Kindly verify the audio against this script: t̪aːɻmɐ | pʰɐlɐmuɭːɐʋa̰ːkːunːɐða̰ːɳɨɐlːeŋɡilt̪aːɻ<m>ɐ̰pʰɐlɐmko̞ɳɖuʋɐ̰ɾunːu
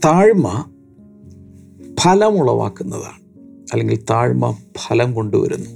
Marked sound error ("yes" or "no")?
no